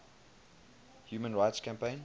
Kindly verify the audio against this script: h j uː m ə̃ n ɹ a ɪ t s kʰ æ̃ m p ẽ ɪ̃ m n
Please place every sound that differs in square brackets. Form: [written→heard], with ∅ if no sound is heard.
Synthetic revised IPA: h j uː m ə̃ n ɹ a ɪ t s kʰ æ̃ m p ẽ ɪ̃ [m→∅] n